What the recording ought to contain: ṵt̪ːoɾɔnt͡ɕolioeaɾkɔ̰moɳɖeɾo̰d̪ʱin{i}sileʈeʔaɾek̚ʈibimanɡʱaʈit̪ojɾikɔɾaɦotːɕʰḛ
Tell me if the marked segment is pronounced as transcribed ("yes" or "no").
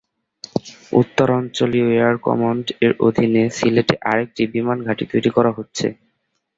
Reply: no